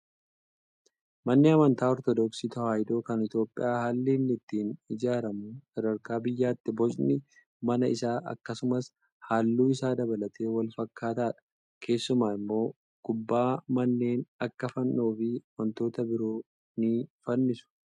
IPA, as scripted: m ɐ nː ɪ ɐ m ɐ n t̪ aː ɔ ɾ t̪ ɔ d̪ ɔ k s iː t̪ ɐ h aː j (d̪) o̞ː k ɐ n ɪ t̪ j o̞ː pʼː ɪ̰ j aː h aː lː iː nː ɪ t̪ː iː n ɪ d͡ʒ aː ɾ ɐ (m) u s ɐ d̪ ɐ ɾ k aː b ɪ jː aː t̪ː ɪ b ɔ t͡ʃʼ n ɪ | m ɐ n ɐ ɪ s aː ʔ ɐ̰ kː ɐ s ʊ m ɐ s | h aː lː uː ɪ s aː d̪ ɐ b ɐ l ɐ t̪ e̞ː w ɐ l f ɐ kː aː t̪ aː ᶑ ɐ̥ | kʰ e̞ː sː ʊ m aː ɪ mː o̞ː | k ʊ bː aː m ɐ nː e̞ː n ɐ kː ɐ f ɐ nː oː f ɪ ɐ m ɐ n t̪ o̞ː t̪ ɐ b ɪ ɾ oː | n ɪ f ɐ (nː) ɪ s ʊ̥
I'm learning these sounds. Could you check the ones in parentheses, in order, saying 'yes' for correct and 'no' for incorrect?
yes, yes, yes

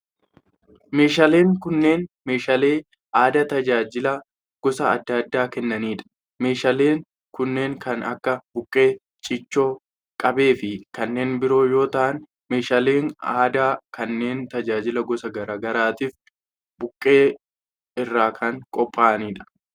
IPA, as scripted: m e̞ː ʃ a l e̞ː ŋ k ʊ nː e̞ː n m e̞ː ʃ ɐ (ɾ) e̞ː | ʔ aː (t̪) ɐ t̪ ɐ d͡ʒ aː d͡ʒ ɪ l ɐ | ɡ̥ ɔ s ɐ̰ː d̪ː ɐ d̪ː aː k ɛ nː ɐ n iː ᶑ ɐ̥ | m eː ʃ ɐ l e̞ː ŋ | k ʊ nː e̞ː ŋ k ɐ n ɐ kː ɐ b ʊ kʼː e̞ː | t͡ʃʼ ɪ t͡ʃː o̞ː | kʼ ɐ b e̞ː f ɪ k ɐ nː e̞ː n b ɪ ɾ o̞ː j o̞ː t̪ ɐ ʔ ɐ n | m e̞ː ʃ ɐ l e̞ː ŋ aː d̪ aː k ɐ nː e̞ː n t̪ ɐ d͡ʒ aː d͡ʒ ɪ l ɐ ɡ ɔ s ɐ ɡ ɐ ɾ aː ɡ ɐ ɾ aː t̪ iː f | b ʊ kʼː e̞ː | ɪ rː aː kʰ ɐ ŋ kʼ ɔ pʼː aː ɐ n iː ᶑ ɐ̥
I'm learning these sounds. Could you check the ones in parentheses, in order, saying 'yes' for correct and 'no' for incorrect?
no, no

